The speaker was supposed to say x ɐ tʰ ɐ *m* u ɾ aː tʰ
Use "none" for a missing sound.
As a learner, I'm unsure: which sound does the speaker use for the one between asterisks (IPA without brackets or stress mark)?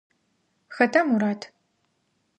m